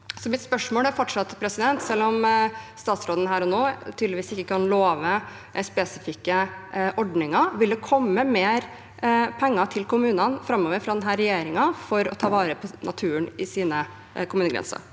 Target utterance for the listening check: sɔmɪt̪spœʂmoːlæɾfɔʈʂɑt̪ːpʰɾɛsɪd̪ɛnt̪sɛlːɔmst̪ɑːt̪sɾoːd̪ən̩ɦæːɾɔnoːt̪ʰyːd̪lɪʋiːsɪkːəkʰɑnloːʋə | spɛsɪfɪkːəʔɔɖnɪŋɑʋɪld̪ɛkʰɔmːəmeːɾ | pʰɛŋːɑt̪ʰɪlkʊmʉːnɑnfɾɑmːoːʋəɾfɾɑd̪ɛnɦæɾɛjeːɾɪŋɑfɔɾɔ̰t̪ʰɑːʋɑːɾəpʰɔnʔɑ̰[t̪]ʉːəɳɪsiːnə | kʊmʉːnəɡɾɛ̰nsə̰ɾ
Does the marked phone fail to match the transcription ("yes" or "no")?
yes